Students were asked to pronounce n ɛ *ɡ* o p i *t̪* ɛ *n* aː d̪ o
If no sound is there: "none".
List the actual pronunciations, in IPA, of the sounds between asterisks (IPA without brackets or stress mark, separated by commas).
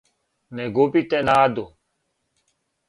ɡ, t̪, n